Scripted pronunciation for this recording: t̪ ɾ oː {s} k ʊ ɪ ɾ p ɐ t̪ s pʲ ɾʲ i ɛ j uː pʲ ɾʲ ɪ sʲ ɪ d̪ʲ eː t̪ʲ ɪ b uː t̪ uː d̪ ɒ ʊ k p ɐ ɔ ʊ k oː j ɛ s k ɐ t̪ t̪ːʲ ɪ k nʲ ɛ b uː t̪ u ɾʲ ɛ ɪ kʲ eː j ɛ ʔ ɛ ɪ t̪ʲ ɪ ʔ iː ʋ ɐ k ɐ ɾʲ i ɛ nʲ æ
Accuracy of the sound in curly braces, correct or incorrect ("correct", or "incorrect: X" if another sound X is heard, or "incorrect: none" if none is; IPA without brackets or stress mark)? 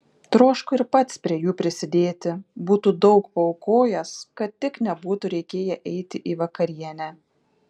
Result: incorrect: ʃ